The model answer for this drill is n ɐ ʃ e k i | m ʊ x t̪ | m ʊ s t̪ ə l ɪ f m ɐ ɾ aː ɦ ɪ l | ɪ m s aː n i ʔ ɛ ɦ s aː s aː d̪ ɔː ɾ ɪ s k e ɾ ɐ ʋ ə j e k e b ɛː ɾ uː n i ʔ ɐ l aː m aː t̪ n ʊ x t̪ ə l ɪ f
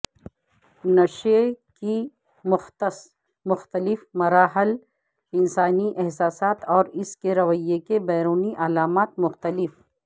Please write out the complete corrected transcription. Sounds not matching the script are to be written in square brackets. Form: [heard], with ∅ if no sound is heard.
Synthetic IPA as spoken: n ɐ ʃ e k i | m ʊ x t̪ | m ʊ [x] t̪ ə l ɪ f m ɐ ɾ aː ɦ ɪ l | ɪ [n] s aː n i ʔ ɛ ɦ s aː s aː [t̪] ɔː ɾ ɪ s k e ɾ ɐ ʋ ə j e k e b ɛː ɾ uː n i ʔ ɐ l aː m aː t̪ [m] ʊ x t̪ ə l ɪ f